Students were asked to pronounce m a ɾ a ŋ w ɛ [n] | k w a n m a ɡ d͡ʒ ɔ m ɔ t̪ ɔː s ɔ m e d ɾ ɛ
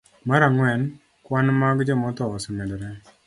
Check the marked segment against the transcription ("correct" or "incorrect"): correct